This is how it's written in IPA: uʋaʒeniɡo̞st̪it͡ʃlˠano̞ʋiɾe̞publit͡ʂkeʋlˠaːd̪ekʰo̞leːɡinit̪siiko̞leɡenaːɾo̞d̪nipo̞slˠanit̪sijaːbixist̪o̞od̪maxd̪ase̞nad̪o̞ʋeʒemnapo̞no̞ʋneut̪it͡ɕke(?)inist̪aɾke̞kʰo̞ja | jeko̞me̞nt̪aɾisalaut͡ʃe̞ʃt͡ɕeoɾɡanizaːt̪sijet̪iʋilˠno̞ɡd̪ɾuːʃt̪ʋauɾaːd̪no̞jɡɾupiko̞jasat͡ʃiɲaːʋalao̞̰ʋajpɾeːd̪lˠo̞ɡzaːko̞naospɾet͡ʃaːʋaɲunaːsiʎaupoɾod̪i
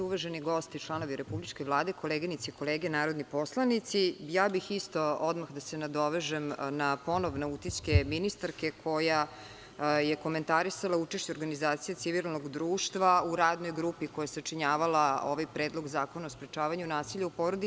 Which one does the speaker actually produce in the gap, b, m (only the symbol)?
m